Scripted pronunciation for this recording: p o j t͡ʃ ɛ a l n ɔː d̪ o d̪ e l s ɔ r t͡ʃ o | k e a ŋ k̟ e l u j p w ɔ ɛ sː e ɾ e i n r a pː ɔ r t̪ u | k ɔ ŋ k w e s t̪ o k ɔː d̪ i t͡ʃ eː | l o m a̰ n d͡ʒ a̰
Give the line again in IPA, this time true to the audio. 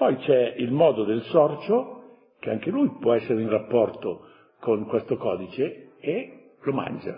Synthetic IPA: p ɔ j t͡ʃ ɛ i l m ɔː d̪ o d̪ e l s ɔ r t͡ʃ o | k e a ŋ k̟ e l u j p w ɔ ɛ sː e ɾ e i n r a pː ɔ r t̪ o | k o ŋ k w e s t̪ o k ɔː d̪ i t͡ʃ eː | l o m a̰ n d͡ʒ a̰